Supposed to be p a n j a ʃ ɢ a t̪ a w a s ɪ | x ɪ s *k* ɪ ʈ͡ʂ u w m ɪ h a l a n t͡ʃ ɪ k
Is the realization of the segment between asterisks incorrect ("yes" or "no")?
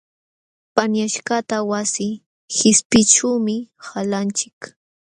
yes